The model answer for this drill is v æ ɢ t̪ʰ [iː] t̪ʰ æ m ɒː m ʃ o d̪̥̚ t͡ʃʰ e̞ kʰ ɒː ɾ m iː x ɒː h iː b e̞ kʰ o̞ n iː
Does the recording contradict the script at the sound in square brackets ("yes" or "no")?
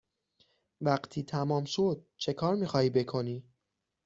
no